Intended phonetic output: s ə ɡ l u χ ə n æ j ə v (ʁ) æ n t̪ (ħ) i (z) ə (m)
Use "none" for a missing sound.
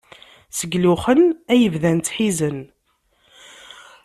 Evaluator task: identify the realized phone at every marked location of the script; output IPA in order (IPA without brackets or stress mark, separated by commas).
ð, ħ, z, n